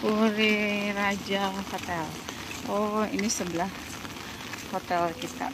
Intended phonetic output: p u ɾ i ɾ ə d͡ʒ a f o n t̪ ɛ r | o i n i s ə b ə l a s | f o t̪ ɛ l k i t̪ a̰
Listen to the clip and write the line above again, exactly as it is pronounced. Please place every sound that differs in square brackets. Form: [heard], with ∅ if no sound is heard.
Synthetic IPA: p u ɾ i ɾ [a] d͡ʒ a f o [∅] t̪ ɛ [l] | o i n i s ə b ə l a [h] | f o t̪ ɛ l k i t̪ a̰